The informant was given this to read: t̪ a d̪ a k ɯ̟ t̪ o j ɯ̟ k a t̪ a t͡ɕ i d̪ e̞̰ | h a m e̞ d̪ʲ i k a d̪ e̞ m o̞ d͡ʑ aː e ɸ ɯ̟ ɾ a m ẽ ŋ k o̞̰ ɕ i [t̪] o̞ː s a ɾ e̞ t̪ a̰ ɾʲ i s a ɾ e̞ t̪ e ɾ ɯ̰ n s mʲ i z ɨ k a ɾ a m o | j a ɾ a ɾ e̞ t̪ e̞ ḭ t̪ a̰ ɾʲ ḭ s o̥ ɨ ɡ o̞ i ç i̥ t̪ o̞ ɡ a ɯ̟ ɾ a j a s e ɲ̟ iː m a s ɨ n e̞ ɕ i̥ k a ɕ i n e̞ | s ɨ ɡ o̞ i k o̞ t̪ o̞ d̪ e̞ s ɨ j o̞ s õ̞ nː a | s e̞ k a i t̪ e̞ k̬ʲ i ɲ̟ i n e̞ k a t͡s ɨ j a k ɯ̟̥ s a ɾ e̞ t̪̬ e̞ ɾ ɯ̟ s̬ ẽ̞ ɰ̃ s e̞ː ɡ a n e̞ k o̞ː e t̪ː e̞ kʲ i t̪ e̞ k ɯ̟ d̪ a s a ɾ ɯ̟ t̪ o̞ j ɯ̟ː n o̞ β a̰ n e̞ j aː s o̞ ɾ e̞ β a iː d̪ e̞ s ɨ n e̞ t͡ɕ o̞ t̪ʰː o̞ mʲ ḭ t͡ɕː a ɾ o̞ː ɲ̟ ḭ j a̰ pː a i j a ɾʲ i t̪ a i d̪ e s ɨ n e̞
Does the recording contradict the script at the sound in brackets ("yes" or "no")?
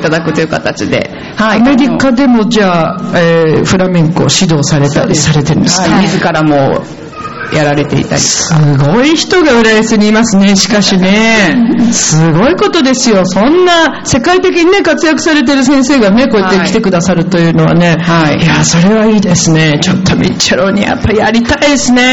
yes